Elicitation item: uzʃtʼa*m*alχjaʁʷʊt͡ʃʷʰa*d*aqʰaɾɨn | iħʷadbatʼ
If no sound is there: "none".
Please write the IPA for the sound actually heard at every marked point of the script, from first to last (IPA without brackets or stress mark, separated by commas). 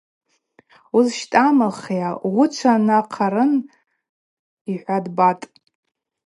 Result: m, n